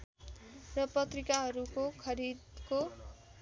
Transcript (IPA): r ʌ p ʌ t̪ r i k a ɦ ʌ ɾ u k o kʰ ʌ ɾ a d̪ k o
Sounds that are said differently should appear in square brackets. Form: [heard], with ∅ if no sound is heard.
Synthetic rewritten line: r ʌ p ʌ t̪ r i k a ɦ ʌ ɾ u k o kʰ ʌ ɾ [i] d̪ k o

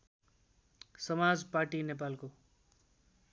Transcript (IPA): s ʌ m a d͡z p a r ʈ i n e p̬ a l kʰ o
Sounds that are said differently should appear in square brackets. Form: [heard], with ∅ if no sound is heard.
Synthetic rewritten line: s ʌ m a d͡z p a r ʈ i n e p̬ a l [k] o

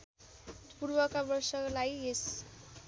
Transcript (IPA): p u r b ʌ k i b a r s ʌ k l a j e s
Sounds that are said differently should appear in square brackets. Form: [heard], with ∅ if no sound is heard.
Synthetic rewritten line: p u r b ʌ k [a] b [ʌ] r s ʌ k l a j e s

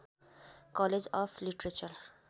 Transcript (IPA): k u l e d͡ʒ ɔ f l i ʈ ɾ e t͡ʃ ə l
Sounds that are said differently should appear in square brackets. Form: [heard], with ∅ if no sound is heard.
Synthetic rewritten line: k [ɔ] l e d͡ʒ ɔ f l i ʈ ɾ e t͡ʃ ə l

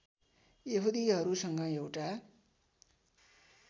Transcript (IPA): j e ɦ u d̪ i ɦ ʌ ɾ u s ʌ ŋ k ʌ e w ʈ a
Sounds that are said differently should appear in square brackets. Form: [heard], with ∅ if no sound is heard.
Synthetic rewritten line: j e ɦ u d̪ i ɦ ʌ ɾ u s ʌ ŋ [ɡ] ʌ e w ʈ a

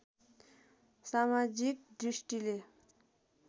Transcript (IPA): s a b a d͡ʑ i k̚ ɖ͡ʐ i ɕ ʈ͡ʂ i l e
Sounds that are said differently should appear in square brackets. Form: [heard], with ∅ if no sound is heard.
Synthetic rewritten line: s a [m] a d͡ʑ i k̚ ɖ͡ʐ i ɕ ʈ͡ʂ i l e

